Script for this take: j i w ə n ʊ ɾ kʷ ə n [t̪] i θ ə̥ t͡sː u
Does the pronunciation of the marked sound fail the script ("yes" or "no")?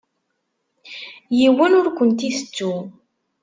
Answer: no